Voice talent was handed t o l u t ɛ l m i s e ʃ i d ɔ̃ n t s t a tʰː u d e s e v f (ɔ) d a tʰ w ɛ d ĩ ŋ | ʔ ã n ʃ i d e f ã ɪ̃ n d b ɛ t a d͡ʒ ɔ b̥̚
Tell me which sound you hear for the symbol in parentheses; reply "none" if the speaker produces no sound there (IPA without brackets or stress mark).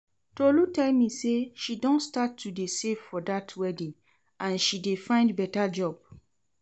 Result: ɔ